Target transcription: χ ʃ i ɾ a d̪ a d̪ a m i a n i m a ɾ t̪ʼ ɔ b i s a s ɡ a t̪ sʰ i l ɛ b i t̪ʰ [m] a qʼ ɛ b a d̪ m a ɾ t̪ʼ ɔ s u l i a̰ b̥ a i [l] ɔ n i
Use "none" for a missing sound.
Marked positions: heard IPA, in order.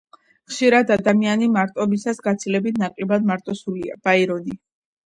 n, ɾ

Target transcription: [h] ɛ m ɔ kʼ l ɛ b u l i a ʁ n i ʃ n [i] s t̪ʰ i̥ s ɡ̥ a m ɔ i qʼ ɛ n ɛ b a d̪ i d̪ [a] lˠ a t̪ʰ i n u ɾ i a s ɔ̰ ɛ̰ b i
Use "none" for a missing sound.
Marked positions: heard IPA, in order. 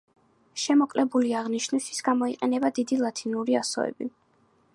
ʃ, i, i

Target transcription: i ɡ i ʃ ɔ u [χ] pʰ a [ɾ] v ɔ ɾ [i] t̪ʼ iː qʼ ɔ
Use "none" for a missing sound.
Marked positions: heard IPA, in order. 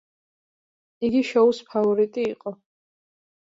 s, none, i

